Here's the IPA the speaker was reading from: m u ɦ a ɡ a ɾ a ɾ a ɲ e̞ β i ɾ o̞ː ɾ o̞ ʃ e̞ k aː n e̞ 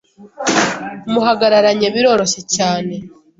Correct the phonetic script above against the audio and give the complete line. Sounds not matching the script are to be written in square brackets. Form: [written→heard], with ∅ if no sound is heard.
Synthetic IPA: m u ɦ a ɡ a ɾ a ɾ a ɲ e̞ β i ɾ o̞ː ɾ o̞ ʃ e̞ [k→c] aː n e̞